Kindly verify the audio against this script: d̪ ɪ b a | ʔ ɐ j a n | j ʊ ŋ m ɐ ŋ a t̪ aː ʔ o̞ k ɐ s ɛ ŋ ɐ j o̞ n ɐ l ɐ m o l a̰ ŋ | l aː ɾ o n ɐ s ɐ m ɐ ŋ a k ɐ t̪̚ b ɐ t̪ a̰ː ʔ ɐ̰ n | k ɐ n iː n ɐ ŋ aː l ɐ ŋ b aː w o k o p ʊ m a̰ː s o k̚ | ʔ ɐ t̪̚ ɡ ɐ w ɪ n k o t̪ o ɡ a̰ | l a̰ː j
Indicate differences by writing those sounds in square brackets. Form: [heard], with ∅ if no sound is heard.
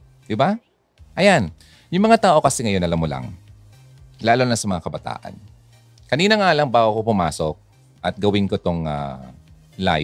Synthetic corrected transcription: d̪ ɪ b a | ʔ ɐ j a n | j ʊ ŋ m ɐ ŋ a t̪ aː ʔ o̞ k ɐ s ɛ ŋ ɐ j o̞ n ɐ l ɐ m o l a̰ ŋ | l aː [l] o n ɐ s ɐ m ɐ ŋ a k ɐ [∅] b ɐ t̪ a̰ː ʔ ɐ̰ n | k ɐ n iː n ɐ ŋ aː l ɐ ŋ b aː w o k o p ʊ m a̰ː s o k̚ | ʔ ɐ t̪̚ ɡ ɐ w ɪ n k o t̪ o [ŋ] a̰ | l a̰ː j